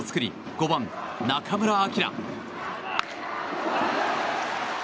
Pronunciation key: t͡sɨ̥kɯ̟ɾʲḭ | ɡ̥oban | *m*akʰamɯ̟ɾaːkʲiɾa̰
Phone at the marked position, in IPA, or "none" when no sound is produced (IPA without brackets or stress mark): n